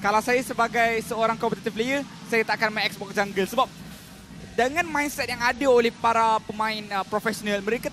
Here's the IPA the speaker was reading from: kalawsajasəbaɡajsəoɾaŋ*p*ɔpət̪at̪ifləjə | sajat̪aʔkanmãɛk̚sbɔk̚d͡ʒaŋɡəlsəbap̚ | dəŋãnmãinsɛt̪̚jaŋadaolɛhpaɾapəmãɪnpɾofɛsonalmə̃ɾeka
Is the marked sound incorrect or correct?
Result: incorrect: k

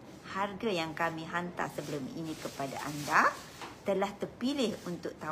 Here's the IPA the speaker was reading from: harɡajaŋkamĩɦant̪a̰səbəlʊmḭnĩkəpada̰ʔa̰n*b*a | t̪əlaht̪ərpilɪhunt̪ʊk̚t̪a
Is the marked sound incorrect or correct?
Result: incorrect: d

